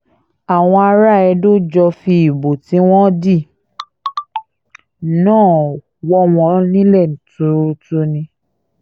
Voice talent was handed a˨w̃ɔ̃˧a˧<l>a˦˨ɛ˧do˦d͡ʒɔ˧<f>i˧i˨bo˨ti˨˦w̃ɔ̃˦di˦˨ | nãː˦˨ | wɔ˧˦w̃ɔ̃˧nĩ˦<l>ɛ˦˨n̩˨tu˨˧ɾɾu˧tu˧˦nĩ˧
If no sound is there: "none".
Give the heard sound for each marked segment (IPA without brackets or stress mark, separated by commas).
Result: ɾ, f, l